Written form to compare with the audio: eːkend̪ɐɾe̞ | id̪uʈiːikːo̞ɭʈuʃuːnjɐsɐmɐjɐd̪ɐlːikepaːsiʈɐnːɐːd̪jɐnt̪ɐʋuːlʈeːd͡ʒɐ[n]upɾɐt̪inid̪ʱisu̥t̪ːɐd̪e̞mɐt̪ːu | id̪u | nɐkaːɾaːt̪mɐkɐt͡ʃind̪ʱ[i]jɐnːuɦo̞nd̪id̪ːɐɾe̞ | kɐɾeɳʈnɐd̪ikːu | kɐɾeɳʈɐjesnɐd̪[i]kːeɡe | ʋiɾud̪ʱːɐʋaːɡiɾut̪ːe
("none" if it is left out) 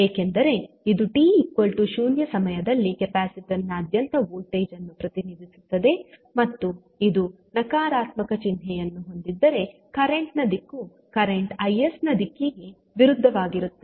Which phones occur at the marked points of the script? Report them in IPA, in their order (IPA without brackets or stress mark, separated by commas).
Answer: nː, ɛ, i